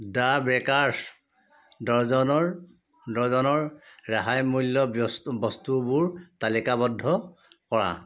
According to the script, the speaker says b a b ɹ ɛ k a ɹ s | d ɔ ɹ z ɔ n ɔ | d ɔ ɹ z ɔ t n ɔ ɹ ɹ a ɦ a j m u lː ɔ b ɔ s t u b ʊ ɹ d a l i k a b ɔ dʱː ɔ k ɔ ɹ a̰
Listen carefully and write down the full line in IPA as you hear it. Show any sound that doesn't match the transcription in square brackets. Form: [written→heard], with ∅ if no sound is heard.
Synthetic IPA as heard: [b→d] a b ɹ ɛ k a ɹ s | d ɔ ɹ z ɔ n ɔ | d ɔ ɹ z ɔ [t→∅] n ɔ ɹ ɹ a ɦ a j m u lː ɔ b ɔ s t u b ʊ ɹ [d→t] a l i k a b ɔ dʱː ɔ k ɔ ɹ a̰